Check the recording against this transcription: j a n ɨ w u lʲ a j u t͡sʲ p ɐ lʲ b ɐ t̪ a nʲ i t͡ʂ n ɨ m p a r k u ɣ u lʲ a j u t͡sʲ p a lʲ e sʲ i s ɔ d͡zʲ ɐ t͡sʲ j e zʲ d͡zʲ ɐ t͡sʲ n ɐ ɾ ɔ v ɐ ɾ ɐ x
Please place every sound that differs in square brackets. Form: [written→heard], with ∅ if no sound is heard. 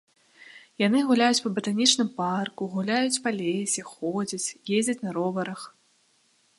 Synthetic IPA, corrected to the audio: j a n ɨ [w→ɣ] u lʲ a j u t͡sʲ p ɐ [lʲ→∅] b ɐ t̪ a nʲ i t͡ʂ n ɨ m p a r k u ɣ u lʲ a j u t͡sʲ p a lʲ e sʲ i [s→x] ɔ d͡zʲ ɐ t͡sʲ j e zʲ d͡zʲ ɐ t͡sʲ n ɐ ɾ ɔ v ɐ ɾ ɐ x